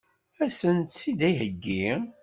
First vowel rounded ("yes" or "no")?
no